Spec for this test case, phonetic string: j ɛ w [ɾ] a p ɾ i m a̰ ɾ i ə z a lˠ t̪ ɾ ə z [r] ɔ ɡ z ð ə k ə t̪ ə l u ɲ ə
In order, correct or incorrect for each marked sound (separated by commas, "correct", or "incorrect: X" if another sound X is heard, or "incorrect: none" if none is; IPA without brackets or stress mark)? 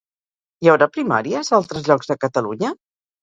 correct, incorrect: ʎ